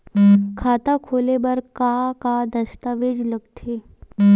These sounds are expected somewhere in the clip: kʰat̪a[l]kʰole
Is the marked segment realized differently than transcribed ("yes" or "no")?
yes